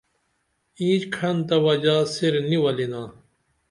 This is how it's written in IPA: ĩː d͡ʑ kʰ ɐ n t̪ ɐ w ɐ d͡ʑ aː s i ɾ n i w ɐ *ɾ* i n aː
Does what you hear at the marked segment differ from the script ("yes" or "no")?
yes